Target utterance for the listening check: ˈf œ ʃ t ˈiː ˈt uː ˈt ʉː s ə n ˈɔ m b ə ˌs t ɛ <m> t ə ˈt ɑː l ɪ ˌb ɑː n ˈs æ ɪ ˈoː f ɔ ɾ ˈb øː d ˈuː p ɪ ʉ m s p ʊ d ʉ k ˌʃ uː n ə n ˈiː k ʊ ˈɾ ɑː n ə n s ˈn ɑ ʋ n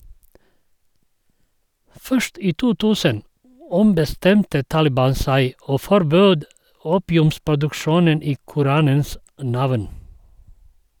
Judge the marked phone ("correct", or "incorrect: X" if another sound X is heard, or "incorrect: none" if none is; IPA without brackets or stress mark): correct